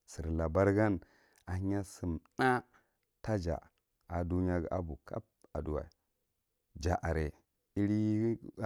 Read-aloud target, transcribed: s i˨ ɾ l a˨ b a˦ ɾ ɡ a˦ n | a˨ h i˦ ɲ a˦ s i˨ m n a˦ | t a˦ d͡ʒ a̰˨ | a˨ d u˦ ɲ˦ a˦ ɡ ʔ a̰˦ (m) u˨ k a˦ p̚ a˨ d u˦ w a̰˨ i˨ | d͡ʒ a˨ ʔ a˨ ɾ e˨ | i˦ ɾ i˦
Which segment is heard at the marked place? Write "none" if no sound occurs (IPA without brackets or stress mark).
b